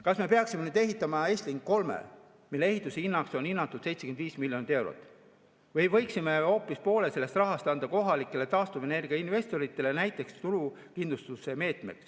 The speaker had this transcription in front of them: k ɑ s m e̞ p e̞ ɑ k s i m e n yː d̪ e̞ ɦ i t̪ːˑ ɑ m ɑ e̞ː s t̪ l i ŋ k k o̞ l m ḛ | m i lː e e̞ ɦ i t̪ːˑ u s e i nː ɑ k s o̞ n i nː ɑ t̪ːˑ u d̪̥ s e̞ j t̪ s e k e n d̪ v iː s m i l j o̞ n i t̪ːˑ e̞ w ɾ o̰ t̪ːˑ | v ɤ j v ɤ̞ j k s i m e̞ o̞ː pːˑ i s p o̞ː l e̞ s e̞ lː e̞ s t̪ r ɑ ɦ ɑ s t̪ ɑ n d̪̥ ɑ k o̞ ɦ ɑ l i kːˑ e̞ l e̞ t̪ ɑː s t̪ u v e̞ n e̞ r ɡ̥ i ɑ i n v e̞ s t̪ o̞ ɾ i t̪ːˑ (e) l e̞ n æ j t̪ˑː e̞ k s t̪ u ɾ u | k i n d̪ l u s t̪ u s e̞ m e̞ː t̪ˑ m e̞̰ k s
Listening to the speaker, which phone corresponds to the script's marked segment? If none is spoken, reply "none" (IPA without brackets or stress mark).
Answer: e